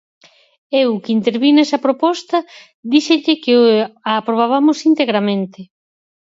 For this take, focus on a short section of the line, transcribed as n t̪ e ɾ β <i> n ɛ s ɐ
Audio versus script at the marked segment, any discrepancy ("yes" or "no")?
no